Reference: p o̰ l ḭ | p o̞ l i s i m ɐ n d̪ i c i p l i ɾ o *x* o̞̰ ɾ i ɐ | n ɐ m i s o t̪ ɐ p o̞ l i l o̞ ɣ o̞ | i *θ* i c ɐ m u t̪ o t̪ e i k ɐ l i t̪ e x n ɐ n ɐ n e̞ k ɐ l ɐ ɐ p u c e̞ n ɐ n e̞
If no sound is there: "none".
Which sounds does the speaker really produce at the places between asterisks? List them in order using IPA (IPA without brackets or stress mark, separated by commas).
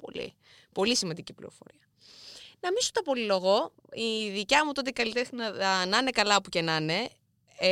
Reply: f, ð